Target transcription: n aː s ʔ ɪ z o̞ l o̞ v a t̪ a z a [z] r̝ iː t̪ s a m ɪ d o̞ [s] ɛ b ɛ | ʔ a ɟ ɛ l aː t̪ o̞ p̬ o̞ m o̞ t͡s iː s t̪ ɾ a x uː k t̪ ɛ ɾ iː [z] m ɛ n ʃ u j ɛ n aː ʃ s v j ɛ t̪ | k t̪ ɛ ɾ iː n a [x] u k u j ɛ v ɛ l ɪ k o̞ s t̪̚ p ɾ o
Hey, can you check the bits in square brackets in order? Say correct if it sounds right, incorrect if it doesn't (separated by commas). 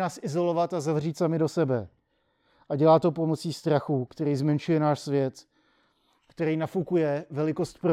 incorrect, correct, correct, incorrect